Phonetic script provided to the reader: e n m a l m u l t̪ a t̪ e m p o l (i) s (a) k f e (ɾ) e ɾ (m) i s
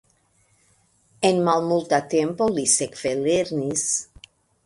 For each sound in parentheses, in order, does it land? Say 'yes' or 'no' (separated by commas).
yes, no, no, no